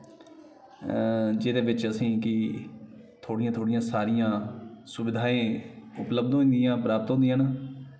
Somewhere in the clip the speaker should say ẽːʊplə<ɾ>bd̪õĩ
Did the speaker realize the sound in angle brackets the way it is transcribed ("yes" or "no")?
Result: no